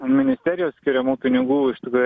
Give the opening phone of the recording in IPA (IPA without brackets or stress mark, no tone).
mʲ